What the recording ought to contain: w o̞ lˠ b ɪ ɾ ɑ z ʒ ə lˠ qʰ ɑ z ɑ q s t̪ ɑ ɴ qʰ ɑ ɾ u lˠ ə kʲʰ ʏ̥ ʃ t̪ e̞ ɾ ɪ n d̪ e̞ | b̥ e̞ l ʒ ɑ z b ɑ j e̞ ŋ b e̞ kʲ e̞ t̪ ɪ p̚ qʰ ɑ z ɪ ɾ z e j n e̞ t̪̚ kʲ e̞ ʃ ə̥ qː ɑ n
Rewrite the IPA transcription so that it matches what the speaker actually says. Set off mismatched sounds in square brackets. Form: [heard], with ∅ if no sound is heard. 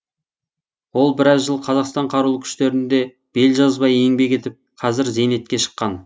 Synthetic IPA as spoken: w o̞ lˠ b ɪ ɾ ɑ z ʒ ə lˠ qʰ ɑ z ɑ q s t̪ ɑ ɴ qʰ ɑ ɾ u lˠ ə kʲʰ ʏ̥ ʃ t̪ e̞ ɾ ɪ n d̪ e̞ | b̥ e̞ l ʒ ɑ z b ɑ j e̞ ŋ b e̞ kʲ e̞ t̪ ɪ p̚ qʰ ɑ z ɪ ɾ z e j n e̞ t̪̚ kʲ e̞ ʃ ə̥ qː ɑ n

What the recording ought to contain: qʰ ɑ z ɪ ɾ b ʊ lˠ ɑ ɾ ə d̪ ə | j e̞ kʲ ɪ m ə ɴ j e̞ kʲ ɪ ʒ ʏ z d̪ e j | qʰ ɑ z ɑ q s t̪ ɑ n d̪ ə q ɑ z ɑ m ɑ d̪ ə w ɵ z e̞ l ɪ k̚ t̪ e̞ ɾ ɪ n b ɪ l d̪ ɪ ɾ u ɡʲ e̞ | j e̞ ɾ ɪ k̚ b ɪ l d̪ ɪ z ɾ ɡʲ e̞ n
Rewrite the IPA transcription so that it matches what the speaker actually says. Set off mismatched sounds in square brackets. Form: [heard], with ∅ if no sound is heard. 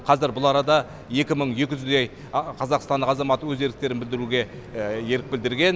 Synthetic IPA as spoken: qʰ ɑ z ɪ ɾ b ʊ lˠ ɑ ɾ [ɑ] d̪ [ɑ] | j e̞ kʲ ɪ m ə ɴ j e̞ kʲ ɪ ʒ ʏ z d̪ e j | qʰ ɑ z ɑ q s t̪ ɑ n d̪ ə q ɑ z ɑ m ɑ [t̪] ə w ɵ z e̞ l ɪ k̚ t̪ e̞ ɾ ɪ n b ɪ l d̪ ɪ ɾ u ɡʲ e̞ | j e̞ ɾ ɪ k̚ b ɪ l d̪ ɪ [∅] ɾ ɡʲ e̞ n

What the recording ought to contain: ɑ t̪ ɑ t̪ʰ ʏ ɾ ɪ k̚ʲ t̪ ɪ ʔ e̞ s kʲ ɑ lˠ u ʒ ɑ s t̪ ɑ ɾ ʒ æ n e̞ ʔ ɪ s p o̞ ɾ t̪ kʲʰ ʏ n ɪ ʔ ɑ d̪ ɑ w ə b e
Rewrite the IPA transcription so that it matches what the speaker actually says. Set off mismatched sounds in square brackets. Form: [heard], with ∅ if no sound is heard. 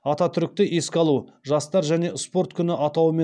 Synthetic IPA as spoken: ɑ t̪ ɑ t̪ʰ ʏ ɾ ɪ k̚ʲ t̪ ɪ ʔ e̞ s kʲ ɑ lˠ u ʒ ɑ s t̪ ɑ ɾ ʒ æ n e̞ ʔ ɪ s p o̞ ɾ t̪ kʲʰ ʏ n ɪ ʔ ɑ [t̪] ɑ w ə [m] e

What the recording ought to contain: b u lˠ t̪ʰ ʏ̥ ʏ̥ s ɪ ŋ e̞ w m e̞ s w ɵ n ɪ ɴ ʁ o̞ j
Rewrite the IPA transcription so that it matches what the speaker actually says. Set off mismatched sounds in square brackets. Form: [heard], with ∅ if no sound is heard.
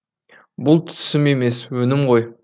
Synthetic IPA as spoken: b [ʊ] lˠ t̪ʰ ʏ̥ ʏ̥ s ɪ [m] e̞ [∅] m e̞ s w ɵ n ɪ [m] ʁ o̞ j

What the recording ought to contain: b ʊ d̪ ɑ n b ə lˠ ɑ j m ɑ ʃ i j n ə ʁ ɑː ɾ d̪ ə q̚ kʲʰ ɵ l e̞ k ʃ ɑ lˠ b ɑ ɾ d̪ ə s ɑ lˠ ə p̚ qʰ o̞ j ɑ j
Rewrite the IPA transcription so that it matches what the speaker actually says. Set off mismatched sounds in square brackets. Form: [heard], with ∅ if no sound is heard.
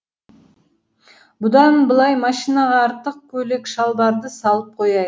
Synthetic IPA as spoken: b ʊ d̪ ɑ n b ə lˠ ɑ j m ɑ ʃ i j n [ɑ] ʁ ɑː ɾ [t̪] ə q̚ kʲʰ ɵ l e̞ k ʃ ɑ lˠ b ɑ ɾ d̪ ə s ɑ lˠ ə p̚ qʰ o̞ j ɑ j

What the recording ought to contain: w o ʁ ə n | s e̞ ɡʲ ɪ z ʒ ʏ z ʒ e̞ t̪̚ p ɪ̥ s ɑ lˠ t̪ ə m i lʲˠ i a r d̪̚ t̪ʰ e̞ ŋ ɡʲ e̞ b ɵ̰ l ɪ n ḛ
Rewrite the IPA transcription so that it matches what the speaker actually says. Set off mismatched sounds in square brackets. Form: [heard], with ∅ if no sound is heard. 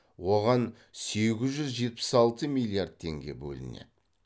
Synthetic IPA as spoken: w o ʁ [ɑ] n | s e̞ ɡʲ ɪ z ʒ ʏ z ʒ e̞ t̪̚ p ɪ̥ s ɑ lˠ t̪ ə m i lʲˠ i a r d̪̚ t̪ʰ e̞ ŋ ɡʲ e̞ b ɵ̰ l ɪ n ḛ

